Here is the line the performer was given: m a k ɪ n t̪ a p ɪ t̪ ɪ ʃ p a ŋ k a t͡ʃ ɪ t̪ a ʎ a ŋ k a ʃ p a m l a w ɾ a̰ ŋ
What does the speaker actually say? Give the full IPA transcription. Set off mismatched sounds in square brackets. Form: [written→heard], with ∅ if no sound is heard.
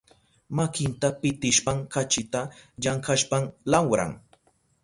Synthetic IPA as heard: m a k ɪ n t̪ a p ɪ t̪ ɪ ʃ p a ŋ k a t͡ʃ ɪ t̪ a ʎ a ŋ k a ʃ p a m l a w ɾ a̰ ŋ